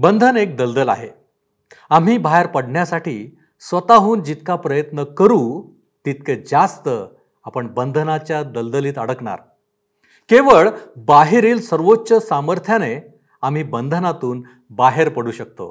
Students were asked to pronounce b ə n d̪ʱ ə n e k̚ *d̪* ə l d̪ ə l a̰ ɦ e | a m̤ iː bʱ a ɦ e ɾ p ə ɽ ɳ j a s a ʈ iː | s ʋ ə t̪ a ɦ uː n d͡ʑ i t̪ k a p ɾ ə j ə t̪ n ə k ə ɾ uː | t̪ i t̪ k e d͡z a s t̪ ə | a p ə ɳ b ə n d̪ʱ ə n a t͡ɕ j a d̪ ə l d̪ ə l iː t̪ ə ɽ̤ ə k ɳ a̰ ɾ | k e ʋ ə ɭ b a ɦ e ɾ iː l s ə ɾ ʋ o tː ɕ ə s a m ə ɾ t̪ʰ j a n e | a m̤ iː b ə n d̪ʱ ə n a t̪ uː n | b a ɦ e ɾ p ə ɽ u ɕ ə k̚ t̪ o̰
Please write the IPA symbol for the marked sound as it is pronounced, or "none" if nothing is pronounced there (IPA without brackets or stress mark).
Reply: d̪